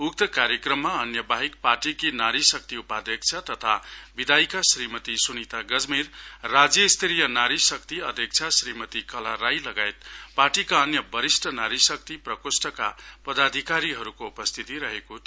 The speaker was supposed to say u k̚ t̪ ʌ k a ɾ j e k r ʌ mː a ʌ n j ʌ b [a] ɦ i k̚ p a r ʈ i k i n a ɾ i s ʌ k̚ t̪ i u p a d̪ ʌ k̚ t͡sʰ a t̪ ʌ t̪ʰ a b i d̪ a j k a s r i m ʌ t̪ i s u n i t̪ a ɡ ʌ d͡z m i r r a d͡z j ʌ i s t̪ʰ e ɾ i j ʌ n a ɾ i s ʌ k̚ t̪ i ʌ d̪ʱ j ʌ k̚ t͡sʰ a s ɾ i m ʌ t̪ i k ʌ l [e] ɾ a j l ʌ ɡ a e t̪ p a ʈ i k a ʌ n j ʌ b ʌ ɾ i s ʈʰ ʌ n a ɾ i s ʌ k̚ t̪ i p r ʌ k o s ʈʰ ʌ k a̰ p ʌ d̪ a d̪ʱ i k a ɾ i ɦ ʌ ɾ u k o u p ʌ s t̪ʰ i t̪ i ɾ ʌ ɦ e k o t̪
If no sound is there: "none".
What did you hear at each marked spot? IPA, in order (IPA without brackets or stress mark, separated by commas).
a, a